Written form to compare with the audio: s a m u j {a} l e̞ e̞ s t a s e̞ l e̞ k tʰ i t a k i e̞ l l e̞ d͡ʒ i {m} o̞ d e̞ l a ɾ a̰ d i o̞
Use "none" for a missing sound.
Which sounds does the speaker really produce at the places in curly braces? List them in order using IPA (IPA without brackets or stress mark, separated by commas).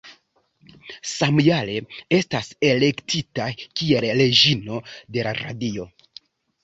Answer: a, n